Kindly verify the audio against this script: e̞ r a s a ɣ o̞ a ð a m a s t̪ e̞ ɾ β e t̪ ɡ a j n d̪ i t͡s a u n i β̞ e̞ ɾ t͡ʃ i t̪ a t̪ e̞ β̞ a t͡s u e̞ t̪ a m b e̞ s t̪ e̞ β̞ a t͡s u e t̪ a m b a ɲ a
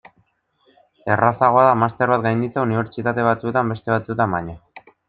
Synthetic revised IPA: e̞ r a s a ɣ o̞ a ð a m a s t̪ e̞ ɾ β a t̪ ɡ a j n d̪ i t͡s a u n i β̞ e̞ ɾ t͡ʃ i t̪ a t̪ e̞ β̞ a t͡s u e̞ t̪ a m b e̞ s t̪ e̞ β̞ a t͡s u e t̪ a m b a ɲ a